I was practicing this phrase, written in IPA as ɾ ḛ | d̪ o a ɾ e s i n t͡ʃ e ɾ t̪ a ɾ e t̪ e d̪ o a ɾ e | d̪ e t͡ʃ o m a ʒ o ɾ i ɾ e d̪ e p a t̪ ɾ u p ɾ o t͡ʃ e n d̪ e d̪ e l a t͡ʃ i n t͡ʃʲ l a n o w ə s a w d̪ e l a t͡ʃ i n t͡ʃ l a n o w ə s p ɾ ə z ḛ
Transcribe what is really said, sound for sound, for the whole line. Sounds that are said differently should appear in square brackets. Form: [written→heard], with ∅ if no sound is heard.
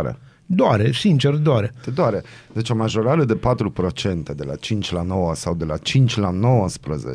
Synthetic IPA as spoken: ɾ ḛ | d̪ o a ɾ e s i n t͡ʃ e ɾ [t̪→d̪] a ɾ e t̪ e d̪ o a ɾ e | d̪ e t͡ʃ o m a ʒ o ɾ [i→a] ɾ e d̪ e p a t̪ ɾ u p ɾ o t͡ʃ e n [d̪→t̪] e d̪ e l a t͡ʃ i n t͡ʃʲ l a n o w ə s a w d̪ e l a t͡ʃ i n t͡ʃ l a n o w ə s p ɾ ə z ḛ